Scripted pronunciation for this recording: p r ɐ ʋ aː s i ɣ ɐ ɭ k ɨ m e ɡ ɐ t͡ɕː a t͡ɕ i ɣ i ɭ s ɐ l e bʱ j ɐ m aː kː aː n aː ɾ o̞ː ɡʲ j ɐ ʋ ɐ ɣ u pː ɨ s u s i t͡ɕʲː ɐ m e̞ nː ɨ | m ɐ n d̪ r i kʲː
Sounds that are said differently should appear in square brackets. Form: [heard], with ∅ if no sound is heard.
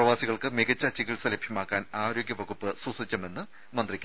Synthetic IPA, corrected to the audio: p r ɐ ʋ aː s i ɣ ɐ ɭ k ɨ m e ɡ ɐ t͡ɕː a t͡ɕ i ɣ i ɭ s ɐ l e bʱ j ɐ m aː kː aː n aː ɾ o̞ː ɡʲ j ɐ ʋ ɐ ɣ u pː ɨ s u s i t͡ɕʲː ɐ m e̞ nː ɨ | m ɐ n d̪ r i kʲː